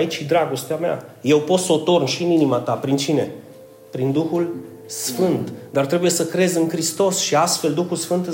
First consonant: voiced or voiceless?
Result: voiceless